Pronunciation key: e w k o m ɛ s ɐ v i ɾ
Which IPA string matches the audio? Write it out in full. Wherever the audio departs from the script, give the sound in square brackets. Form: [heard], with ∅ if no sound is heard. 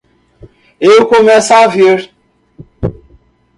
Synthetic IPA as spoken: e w k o m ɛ s [a] v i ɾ

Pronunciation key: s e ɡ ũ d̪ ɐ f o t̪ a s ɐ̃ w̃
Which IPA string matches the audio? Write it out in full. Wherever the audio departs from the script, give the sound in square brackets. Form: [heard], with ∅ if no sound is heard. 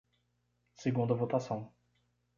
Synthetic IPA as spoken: s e ɡ ũ d̪ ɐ [v] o t̪ a s ɐ̃ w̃

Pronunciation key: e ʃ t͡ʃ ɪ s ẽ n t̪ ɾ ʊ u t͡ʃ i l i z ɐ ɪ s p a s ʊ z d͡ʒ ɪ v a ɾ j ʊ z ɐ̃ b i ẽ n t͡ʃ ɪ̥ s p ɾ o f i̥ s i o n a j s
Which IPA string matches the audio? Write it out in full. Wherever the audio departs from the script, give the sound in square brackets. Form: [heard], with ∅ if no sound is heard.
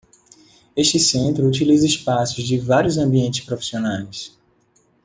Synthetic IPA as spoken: e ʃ t͡ʃ ɪ s ẽ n t̪ ɾ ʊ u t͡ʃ i l i z ɐ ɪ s p a s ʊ z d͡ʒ ɪ v a ɾ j ʊ z ɐ̃ b i ẽ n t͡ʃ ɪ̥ s p ɾ o f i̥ s i o n a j s

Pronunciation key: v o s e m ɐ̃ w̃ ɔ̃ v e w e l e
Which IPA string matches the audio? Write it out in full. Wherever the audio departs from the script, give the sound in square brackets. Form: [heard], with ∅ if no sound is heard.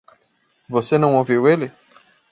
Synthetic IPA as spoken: v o s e [n] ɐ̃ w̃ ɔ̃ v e w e l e

